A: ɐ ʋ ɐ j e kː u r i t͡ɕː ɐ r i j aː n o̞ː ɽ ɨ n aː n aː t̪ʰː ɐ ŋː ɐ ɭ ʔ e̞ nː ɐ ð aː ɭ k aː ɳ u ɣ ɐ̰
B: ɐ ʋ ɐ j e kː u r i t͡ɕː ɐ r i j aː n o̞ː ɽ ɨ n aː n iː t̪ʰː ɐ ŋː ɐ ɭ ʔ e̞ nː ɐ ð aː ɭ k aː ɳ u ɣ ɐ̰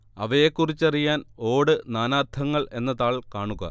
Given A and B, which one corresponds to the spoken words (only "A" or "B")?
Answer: A